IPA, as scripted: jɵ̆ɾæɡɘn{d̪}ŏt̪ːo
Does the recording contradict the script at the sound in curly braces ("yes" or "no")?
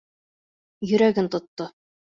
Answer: yes